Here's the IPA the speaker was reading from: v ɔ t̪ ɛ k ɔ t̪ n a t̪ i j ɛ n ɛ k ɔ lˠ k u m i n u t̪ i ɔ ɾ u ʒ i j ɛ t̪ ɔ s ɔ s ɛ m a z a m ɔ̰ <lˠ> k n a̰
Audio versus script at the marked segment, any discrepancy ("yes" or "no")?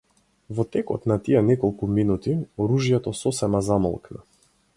no